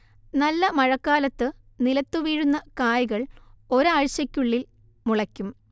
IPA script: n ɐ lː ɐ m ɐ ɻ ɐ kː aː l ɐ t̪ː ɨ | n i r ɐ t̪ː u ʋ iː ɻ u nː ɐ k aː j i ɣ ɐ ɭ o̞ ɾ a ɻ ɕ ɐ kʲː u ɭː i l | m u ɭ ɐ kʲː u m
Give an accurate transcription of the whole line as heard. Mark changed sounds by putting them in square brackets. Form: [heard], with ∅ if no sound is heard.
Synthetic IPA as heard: n ɐ lː ɐ m ɐ ɻ ɐ kː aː l ɐ t̪ː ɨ | n i [l] ɐ t̪ː u ʋ iː ɻ u nː ɐ k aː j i ɣ ɐ ɭ o̞ ɾ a ɻ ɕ ɐ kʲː u ɭː i l | m u ɭ ɐ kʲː u m